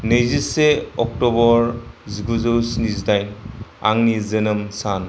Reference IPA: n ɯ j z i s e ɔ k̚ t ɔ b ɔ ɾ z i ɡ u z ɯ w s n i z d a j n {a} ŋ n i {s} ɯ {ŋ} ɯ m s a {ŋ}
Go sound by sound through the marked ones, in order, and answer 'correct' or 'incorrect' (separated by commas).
correct, incorrect, incorrect, incorrect